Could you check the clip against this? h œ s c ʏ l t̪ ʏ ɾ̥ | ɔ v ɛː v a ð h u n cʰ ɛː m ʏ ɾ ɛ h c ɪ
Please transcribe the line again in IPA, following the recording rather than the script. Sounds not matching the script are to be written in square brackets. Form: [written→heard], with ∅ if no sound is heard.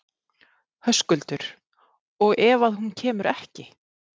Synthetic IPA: h œ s [c→k] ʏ l t̪ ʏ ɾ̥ | ɔ [v→ɣ] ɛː v a ð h u n cʰ ɛː m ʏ ɾ ɛ h c ɪ